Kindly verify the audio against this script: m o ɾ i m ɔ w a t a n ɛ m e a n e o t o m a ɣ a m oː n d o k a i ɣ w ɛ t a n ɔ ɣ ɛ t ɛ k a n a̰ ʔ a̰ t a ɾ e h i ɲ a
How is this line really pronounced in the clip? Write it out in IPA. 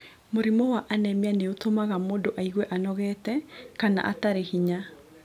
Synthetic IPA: m o ɾ i m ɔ w a ʔ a n ɛ m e a n e o t o m a ɣ a m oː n d o ʔ a i ɣ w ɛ ʔ a n ɔ ɣ ɛ t ɛ k a n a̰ ʔ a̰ t a ɾ e h i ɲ a